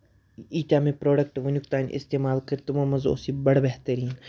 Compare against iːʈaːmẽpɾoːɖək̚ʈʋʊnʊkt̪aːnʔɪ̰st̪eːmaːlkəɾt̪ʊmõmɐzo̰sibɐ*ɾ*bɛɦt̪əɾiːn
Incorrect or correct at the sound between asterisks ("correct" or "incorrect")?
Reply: incorrect